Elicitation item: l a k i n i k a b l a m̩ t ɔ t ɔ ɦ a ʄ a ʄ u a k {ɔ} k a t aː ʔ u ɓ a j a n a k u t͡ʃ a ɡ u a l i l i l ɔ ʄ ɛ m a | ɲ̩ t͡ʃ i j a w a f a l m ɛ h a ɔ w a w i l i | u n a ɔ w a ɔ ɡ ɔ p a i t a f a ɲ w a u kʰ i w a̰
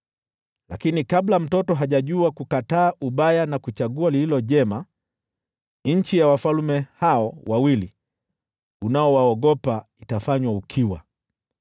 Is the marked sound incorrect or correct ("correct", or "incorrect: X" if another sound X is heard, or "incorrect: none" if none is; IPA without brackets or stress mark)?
incorrect: u